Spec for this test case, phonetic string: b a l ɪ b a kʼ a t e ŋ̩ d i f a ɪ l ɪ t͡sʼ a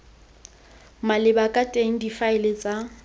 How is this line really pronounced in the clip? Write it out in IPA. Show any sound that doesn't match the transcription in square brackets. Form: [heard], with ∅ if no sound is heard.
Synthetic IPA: [m] a l ɪ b a kʼ a [tʼ] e ŋ̩ d i f a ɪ l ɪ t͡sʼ a

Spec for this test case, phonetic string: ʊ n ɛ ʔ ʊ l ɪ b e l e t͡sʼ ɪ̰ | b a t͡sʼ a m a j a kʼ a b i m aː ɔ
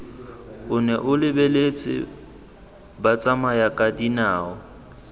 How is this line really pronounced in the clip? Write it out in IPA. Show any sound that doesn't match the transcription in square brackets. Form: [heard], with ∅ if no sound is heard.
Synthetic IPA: ʊ n ɛ ʔ ʊ l ɪ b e l e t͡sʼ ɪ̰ | b a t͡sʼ a m a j a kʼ a [d] i [n] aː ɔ

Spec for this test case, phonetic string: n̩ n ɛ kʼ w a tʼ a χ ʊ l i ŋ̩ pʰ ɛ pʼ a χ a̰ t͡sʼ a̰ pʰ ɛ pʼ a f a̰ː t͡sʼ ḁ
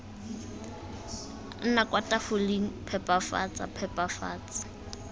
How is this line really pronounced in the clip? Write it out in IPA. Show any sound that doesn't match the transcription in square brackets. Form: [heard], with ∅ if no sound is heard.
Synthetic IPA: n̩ n [a] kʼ w a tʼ a [f] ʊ l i ŋ̩ pʰ ɛ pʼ a [f] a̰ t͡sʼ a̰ pʰ ɛ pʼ a f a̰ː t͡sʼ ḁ

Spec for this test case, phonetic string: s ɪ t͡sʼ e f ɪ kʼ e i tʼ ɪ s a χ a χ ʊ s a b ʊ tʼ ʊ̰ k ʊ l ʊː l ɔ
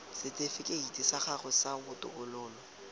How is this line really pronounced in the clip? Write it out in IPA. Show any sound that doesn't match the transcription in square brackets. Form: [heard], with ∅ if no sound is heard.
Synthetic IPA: s ɪ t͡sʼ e f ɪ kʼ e i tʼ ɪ s a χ a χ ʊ s a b ʊ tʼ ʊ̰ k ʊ l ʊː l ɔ

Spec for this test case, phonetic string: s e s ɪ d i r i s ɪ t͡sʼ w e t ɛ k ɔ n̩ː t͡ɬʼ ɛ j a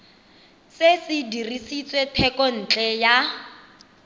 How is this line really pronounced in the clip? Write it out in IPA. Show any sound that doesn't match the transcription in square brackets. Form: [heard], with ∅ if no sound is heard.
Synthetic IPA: s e s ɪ d i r i s [i] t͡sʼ w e [tʰ] ɛ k ɔ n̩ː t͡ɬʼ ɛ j a

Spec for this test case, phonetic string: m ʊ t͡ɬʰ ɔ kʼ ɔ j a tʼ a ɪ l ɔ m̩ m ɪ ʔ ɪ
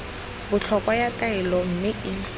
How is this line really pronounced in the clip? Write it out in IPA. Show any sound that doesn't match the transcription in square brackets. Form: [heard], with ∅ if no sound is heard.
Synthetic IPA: [b] ʊ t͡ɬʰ ɔ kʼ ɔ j a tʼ a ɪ l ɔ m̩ m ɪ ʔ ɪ

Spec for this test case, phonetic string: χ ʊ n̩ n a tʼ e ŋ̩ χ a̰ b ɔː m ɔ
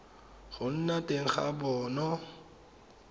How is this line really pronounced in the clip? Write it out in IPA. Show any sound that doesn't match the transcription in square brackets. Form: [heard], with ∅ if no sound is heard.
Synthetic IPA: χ ʊ n̩ n a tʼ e ŋ̩ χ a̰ b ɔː [n] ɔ

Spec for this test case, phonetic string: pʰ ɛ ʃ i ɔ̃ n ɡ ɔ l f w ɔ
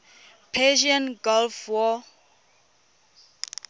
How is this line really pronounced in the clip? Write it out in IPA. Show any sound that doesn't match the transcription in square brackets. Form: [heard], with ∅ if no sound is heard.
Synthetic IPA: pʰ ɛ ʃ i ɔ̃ n ɡ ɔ l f w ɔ

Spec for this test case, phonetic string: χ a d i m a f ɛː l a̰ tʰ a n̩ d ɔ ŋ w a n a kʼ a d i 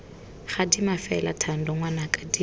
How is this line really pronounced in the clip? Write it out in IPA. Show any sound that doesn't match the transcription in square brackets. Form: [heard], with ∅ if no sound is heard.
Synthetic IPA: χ a d i m a f [ɛ] l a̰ tʰ a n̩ d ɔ ŋ w a n a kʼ a d i

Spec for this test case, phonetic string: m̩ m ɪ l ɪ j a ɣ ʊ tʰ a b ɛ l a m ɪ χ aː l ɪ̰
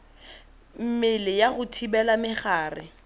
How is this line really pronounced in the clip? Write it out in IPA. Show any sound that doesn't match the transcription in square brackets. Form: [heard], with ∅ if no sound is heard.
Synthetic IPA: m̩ m ɪ l ɪ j a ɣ ʊ tʰ [i] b ɛ l a m ɪ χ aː [r] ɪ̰

